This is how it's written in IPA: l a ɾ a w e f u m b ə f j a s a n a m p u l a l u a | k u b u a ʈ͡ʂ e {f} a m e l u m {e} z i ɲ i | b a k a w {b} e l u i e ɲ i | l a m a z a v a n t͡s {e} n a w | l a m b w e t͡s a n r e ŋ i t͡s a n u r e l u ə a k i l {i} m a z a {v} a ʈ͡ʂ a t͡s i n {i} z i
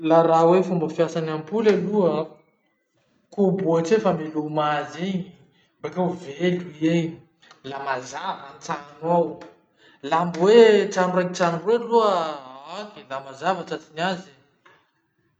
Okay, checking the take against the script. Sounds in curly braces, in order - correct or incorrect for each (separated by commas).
correct, incorrect, incorrect, incorrect, incorrect, correct, incorrect